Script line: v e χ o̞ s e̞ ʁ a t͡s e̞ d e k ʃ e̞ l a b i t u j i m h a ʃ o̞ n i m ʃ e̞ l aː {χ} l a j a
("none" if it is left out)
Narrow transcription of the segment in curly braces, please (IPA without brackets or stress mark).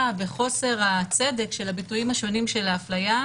f